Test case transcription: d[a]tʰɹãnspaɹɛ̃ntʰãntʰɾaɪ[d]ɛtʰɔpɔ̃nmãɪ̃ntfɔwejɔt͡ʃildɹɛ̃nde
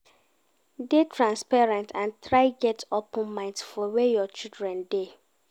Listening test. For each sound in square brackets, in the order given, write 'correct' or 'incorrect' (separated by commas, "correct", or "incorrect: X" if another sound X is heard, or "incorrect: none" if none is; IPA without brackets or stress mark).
incorrect: e, incorrect: ɡ